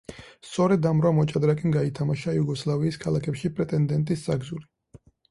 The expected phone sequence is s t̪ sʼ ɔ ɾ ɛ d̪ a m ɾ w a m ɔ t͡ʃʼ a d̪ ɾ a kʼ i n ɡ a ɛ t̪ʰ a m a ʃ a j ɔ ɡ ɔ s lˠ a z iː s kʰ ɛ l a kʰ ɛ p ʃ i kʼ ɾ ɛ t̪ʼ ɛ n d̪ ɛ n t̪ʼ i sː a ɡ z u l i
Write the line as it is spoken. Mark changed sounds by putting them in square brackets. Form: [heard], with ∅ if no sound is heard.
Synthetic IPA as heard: s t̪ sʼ ɔ ɾ ɛ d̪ a m ɾ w a m ɔ t͡ʃʼ a d̪ ɾ a kʼ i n ɡ a [i] t̪ʰ a m a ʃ a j [u] ɡ ɔ s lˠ a [v] iː s kʰ [a] l a kʰ ɛ p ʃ i [pʼ] ɾ ɛ t̪ʼ ɛ n d̪ ɛ n t̪ʼ i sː a ɡ z u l i